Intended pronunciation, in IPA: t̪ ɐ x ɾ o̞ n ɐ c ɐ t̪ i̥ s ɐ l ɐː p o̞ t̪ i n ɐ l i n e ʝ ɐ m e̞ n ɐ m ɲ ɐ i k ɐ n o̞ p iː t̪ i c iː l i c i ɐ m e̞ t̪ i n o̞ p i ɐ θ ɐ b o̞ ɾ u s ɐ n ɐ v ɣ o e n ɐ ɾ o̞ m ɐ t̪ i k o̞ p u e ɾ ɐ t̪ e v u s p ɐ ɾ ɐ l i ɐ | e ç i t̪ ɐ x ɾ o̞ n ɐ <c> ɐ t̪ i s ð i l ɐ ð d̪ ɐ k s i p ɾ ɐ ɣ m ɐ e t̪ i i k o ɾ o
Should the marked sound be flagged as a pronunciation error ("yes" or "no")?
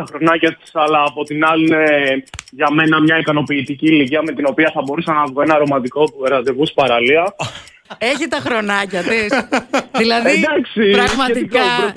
no